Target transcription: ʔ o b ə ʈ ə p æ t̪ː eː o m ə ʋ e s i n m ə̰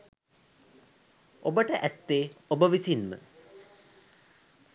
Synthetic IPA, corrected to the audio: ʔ o b ə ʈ ə ʔ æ t̪ː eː o b ə ʋ i s i n m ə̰